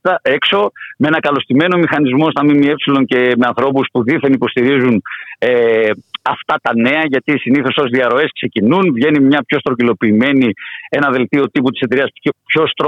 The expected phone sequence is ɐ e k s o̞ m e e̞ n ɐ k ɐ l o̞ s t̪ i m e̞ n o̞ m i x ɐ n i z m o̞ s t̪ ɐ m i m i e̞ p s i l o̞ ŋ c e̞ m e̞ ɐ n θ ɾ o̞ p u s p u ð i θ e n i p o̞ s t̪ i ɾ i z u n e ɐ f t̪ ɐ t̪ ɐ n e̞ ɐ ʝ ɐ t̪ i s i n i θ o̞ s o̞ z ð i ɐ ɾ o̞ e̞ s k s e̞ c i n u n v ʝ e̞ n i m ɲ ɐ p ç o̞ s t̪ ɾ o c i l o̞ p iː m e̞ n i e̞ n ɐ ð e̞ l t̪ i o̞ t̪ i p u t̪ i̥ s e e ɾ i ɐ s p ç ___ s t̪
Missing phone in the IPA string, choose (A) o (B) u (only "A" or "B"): A